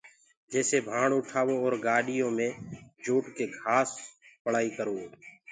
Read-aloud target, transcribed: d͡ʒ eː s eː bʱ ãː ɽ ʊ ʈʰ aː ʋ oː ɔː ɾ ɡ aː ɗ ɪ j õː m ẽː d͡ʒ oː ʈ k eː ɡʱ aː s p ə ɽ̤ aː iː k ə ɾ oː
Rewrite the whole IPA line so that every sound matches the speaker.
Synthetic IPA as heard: d͡ʒ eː s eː bʱ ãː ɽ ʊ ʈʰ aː ʋ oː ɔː ɾ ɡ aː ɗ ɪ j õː m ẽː d͡ʒ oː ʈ k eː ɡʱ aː s p ə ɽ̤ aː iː k ə ɾ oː